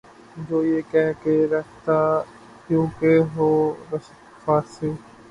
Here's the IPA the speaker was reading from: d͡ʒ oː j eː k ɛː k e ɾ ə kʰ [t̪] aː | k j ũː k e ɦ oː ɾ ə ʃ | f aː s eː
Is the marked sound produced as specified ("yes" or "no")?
yes